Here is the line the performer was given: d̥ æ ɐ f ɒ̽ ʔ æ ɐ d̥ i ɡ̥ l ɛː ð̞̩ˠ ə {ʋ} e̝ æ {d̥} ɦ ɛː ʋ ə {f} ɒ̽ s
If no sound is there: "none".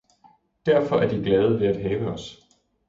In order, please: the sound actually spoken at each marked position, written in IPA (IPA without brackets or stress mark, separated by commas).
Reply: ʋ, d̥, none